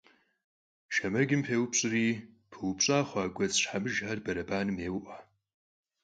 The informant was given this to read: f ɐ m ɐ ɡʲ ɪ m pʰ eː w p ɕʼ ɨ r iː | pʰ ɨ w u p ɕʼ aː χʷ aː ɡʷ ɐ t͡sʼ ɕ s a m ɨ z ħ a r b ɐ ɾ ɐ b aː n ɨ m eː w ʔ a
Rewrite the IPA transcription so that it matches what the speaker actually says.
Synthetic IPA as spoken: ʃ ɐ m ɐ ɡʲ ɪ m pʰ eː w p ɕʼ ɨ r iː | pʰ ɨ w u p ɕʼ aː χʷ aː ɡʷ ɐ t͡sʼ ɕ ħ a m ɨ ʒ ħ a r b ɐ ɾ ɐ b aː n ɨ m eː w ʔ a